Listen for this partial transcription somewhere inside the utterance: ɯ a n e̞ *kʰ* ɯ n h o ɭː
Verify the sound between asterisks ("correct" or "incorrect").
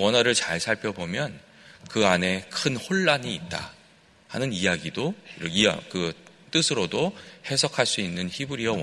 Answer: correct